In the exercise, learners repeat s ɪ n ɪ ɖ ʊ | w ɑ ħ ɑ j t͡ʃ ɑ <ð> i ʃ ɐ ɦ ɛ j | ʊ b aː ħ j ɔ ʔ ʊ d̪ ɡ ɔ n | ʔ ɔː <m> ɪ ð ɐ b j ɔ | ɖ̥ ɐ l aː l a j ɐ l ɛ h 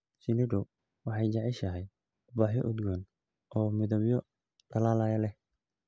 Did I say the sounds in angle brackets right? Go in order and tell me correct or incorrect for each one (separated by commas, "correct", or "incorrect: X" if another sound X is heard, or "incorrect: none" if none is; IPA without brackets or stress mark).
incorrect: ʕ, correct